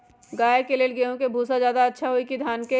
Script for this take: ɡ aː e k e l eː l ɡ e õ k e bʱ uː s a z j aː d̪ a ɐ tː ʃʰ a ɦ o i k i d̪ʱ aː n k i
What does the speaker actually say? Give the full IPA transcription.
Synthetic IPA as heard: ɡ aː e k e l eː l ɡ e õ k e bʱ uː s a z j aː d̪ a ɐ tː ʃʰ a ɦ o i k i d̪ʱ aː n k e